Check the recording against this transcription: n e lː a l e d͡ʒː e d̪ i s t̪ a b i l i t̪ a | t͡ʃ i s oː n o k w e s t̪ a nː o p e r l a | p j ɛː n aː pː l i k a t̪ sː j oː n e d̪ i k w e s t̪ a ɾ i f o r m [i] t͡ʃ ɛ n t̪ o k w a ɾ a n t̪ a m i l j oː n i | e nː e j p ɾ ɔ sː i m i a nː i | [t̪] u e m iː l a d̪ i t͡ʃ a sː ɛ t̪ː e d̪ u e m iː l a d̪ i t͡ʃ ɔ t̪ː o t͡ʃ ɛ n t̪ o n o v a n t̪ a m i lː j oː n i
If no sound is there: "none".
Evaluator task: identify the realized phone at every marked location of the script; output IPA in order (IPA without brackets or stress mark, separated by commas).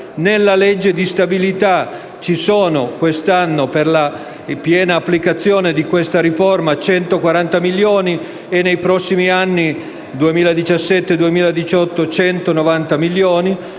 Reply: a, d̪